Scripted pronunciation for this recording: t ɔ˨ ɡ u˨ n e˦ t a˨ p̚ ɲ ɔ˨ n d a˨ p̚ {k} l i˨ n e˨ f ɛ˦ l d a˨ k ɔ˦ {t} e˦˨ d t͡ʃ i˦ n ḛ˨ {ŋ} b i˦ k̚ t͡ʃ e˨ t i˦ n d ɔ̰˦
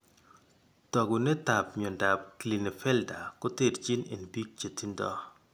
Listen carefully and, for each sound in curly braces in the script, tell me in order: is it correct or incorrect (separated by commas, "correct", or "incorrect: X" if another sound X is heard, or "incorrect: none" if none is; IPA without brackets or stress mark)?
correct, correct, incorrect: n